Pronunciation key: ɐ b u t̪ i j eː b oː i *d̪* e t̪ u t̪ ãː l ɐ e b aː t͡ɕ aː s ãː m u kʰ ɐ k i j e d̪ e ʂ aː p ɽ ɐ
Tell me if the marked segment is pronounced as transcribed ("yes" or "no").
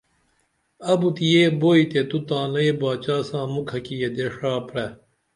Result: no